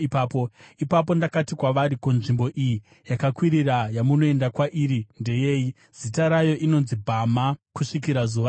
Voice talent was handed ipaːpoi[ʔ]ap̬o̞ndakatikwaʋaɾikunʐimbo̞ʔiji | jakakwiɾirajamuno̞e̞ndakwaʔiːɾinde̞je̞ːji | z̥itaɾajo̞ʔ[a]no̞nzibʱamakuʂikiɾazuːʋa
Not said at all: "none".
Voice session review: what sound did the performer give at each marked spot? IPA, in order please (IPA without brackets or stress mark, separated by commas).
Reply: p, i